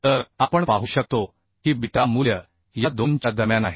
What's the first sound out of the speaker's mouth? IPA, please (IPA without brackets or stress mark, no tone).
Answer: t̪